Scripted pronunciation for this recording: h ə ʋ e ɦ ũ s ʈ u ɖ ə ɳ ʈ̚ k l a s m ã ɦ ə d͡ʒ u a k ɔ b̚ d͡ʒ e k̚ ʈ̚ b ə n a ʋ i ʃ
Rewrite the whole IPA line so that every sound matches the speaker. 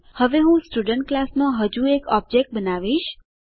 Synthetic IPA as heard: h ə ʋ e ɦ ũ s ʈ u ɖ ə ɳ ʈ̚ k l a s m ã ɦ ə d͡ʒ u e k ɔ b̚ d͡ʒ e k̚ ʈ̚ b ə n a ʋ i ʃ

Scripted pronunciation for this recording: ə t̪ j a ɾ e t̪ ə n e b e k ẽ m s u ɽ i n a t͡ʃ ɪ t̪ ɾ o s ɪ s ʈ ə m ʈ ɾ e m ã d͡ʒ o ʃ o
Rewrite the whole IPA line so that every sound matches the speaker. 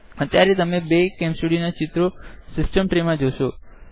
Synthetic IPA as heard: ə t̪ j a ɾ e t̪ ə m e b e k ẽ m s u ɽ i n a t͡ʃ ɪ t̪ ɾ o s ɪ s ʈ ə m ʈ ɾ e m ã d͡ʒ o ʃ o

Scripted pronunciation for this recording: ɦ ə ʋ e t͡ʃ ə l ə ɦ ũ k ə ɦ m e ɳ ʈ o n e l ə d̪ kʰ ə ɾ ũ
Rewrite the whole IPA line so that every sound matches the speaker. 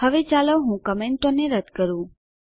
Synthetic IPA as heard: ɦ ə ʋ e t͡ʃ a l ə ɦ ũ k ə m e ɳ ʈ o n e ɾ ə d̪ k ə ɾ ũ

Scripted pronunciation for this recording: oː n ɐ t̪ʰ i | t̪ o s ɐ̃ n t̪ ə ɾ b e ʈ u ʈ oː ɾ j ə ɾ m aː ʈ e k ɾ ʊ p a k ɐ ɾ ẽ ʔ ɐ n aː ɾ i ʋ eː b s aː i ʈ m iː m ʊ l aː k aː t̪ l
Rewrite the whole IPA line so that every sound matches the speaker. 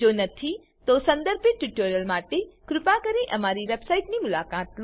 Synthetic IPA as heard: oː n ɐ t̪ʰ i | t̪ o s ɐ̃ n d̪ ə ɾ b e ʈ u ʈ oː ɾ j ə l m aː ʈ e k ɾ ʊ p a k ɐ ɾ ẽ ʔ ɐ m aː ɾ i ʋ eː b s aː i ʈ n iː m ʊ l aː k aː t̪ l

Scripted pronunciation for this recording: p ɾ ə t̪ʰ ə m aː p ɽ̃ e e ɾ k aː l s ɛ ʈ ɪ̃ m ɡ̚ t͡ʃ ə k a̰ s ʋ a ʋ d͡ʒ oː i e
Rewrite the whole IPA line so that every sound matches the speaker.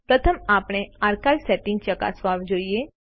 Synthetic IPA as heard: p ɾ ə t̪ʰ ə m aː p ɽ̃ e a ɾ k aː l s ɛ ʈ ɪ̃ ŋ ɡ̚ t͡ʃ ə k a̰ s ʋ a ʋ d͡ʒ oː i e

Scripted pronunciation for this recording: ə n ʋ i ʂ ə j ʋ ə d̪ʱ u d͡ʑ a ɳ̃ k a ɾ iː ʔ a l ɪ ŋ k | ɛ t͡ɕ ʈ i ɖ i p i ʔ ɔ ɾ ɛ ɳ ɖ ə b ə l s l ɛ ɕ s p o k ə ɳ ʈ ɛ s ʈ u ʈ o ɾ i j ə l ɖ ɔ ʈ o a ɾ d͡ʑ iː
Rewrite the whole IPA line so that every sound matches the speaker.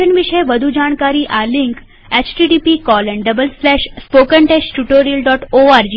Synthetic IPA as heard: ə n ʋ i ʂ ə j ʋ ə d̪ʱ u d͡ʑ a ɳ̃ k a ɾ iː ʔ a l i ŋ k | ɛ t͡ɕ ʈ i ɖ i p i k ɔ l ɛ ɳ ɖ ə b ə l s l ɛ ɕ s p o k ə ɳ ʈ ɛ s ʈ u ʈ o ɾ i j ə l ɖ ɔ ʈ o a ɾ d͡ʑ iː

